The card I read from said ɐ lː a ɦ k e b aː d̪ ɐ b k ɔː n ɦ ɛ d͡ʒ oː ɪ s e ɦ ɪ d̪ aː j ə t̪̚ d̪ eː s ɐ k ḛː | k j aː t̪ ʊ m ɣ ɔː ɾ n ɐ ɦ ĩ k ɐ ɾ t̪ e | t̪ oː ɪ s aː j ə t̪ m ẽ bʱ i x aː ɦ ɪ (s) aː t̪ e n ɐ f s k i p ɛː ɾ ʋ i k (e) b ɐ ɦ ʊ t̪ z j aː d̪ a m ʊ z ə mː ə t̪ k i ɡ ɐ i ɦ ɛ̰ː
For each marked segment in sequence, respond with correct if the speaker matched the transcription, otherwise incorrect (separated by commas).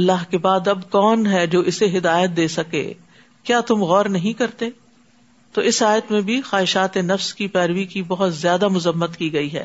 incorrect, incorrect